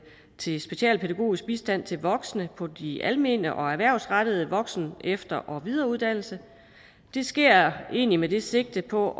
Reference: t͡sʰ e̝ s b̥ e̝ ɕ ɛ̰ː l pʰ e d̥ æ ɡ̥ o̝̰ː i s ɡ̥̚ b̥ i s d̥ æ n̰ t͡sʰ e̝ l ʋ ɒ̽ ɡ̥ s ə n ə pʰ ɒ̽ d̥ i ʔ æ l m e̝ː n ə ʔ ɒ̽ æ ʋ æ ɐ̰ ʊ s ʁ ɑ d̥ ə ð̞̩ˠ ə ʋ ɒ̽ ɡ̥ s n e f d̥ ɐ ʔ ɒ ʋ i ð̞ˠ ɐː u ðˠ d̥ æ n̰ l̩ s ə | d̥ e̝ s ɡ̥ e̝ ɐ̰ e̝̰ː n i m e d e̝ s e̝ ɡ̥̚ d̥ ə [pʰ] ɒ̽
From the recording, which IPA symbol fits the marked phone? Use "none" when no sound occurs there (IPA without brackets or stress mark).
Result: pʰ